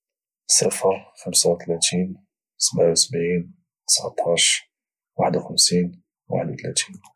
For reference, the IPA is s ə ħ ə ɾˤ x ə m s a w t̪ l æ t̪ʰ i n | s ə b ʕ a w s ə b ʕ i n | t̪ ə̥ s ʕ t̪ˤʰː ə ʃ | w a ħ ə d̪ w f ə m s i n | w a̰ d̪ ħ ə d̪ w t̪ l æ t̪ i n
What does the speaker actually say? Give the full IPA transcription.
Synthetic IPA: s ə f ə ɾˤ x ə m s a w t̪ l æ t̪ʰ i n | s ə b ʕ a w s ə b ʕ i n | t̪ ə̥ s ʕ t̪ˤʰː ɑ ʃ | w a ħ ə d̪ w x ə m s i n | w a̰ ħ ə d̪ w t̪ l æ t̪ i n